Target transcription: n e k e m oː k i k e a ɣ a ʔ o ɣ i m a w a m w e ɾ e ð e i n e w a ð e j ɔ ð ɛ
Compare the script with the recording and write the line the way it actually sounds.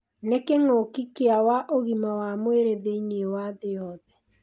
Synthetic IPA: n e k e ŋ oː k i k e a w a ʔ o ɣ i m a w a m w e ɾ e ð e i n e w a ð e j ɔ ð ɛ